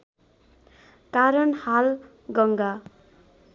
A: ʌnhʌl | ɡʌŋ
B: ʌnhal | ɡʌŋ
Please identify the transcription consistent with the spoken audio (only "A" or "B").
B